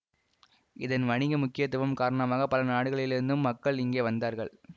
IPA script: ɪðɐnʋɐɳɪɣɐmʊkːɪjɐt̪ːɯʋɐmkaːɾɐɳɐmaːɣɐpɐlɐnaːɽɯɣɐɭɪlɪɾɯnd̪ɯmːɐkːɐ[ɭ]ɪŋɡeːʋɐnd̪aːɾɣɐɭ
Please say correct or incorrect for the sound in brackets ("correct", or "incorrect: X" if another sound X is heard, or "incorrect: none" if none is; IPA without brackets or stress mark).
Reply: correct